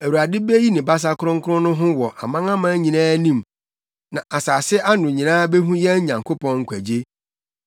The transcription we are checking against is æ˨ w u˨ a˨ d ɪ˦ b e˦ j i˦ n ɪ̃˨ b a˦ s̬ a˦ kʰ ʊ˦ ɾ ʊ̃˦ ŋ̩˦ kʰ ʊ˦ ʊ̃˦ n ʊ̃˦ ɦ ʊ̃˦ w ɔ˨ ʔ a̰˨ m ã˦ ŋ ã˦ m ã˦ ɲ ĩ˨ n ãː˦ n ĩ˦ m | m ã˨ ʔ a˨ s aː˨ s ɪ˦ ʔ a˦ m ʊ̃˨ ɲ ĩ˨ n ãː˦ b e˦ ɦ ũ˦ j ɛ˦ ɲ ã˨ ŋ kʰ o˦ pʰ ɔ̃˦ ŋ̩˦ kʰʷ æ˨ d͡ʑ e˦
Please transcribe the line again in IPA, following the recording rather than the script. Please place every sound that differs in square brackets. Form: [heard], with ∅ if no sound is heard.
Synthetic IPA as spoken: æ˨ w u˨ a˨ d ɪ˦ b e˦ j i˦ n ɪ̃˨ b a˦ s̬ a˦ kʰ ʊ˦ ɾ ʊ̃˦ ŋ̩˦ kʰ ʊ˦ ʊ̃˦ n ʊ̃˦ ɦ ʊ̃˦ w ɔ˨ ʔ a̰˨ m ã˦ ŋ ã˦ m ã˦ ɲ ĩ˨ n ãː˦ n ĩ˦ m | [n] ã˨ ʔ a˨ s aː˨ s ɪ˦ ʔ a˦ [n] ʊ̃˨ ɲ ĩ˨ n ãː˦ b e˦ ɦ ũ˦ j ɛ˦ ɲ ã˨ ŋ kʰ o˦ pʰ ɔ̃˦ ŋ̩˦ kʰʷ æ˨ d͡ʑ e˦